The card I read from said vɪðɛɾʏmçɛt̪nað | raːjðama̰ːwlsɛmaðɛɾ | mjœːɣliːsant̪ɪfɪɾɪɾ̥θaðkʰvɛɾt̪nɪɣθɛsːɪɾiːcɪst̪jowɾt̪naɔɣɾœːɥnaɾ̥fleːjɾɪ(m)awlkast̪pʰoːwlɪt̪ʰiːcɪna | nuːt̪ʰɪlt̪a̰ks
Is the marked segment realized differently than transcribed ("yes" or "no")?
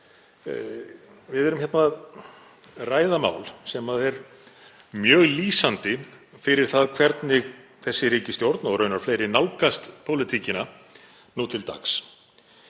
yes